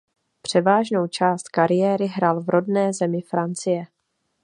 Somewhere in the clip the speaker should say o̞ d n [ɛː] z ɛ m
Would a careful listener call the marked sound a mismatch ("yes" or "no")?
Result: no